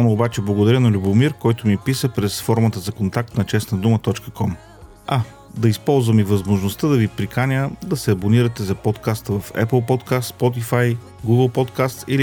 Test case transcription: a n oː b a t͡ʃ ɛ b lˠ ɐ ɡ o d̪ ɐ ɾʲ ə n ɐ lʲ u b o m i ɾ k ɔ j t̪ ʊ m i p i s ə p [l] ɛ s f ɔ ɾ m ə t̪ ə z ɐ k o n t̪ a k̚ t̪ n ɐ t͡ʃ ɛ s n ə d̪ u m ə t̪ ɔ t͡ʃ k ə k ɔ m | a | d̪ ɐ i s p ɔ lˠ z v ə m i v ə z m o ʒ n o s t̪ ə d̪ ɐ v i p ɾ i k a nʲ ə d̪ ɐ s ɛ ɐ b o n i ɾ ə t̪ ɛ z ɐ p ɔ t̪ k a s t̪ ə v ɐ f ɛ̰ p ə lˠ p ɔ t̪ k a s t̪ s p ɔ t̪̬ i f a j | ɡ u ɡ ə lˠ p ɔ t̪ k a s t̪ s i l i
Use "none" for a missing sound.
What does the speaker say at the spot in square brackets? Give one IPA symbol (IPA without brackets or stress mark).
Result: ɾ